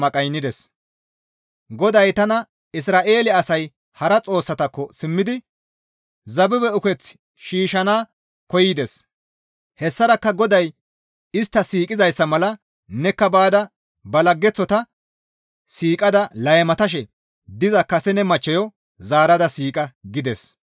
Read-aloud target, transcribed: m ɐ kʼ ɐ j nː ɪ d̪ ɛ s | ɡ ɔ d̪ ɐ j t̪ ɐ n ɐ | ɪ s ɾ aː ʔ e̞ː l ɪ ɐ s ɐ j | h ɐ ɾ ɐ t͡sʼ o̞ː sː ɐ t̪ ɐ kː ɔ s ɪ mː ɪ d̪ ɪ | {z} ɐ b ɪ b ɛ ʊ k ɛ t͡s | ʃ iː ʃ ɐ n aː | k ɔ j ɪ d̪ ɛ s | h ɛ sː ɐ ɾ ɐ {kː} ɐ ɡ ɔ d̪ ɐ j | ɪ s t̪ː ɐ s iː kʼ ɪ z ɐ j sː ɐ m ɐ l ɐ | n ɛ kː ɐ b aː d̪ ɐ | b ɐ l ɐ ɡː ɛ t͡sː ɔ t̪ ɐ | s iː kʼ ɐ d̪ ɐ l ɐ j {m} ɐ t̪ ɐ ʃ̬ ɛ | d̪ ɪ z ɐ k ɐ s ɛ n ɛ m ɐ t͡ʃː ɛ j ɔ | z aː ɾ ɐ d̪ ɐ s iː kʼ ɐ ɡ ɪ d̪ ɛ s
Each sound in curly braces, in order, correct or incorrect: correct, correct, correct

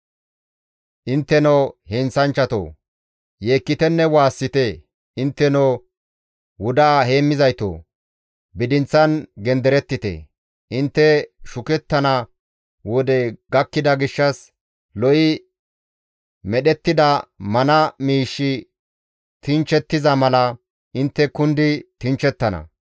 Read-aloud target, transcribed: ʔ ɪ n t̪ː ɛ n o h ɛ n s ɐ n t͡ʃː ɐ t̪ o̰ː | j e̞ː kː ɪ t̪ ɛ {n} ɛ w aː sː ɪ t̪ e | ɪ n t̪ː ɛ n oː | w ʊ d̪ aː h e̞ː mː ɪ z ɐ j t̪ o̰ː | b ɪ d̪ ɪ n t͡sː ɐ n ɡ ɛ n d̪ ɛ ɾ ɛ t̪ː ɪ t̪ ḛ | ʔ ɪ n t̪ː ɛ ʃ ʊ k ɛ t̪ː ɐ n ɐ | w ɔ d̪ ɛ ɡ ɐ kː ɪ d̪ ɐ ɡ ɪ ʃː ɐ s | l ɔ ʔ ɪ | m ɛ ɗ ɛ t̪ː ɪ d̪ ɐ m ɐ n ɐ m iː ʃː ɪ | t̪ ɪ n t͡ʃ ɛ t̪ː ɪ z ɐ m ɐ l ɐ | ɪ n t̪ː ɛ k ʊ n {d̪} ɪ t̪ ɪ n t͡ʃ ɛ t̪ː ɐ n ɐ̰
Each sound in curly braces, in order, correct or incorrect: incorrect: nː, correct

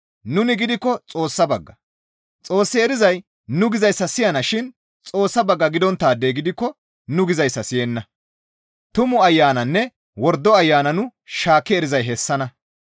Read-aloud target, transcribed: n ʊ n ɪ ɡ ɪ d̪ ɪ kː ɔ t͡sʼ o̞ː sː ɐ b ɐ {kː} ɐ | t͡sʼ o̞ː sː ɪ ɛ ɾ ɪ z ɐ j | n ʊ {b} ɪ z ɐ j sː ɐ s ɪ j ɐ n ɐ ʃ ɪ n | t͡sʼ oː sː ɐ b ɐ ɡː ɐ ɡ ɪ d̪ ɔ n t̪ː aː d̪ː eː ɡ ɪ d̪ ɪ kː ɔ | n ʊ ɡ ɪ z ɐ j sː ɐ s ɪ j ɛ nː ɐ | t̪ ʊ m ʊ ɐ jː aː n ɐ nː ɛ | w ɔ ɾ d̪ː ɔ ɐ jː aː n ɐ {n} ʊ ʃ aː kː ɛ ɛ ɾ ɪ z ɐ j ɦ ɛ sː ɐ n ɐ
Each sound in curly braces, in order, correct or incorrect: incorrect: ɡː, incorrect: ɡ, correct

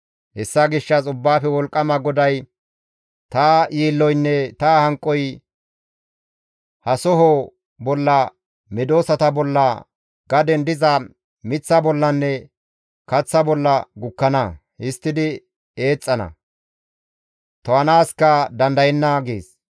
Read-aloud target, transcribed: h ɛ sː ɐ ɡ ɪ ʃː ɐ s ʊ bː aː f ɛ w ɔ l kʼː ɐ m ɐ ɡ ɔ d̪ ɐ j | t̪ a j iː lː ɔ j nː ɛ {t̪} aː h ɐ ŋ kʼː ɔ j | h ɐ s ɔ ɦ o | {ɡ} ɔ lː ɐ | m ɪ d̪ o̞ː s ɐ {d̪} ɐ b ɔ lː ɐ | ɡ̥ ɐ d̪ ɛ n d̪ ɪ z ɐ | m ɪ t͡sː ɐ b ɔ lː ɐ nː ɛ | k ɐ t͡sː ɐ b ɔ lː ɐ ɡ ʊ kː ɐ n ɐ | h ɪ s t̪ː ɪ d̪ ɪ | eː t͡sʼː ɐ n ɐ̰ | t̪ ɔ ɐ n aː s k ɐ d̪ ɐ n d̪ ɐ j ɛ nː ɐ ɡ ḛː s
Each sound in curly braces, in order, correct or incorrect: correct, incorrect: b, incorrect: t̪

